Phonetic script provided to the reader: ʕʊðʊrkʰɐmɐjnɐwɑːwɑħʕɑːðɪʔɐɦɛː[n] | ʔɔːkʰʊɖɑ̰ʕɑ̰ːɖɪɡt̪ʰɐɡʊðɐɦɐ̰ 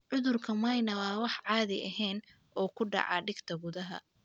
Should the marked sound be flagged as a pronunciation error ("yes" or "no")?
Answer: no